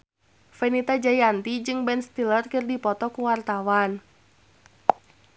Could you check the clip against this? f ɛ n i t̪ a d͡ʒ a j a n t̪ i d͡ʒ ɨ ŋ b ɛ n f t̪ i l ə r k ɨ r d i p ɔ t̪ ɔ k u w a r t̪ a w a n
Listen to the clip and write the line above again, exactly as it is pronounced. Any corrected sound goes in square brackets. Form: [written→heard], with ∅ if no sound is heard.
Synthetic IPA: f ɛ n i t̪ a d͡ʒ a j a n t̪ i d͡ʒ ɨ ŋ b ɛ n [f→s] t̪ i l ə r k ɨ r d i p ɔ t̪ ɔ k u w a r t̪ a w a n